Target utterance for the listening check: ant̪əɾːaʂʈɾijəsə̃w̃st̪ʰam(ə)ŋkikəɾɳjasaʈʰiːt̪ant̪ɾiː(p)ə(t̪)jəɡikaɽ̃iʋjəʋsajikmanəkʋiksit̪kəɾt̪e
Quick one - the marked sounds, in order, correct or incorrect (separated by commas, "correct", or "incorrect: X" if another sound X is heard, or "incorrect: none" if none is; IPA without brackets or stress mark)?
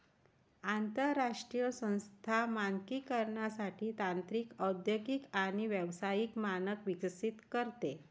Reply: incorrect: a, incorrect: k, incorrect: d̪